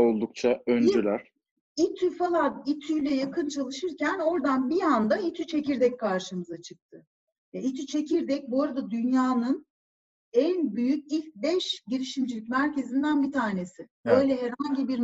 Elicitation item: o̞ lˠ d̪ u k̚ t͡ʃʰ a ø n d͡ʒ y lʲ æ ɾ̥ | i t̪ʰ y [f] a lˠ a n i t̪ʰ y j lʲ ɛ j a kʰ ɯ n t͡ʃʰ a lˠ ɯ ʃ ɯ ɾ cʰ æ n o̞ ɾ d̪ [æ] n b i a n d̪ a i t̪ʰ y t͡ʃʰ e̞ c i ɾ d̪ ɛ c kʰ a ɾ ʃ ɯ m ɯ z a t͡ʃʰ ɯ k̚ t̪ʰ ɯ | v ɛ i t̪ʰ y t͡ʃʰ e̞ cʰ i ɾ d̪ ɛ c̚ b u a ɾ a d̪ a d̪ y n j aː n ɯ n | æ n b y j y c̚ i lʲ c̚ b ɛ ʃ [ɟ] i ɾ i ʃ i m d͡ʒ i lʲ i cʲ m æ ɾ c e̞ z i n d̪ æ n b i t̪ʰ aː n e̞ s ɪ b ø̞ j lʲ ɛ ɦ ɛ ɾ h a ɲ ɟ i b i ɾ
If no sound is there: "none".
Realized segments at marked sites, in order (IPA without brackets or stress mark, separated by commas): f, a, ɟ